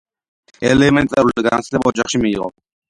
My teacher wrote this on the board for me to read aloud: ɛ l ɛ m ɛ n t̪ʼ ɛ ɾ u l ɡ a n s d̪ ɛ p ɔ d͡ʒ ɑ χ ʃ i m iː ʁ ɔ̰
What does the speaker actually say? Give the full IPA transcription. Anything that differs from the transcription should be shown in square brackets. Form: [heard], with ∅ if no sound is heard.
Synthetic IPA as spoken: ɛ l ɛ m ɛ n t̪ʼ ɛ ɾ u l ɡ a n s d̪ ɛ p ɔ d͡ʒ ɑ χ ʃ i m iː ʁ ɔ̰